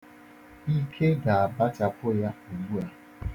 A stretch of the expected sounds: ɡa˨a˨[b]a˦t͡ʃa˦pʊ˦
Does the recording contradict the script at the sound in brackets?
no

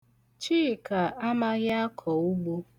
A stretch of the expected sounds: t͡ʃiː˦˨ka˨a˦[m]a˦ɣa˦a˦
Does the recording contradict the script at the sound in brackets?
no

